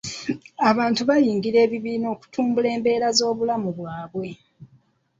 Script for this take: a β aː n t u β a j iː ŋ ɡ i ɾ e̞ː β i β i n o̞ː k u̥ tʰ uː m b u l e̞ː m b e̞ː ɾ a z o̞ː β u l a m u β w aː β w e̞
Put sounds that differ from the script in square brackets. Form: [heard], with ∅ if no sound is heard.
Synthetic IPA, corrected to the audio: a β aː n t u β a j iː ŋ ɡ i ɾ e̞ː β i β [iː] n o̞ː k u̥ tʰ uː m b u l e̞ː m b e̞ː ɾ a z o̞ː β u l a m u β w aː β w e̞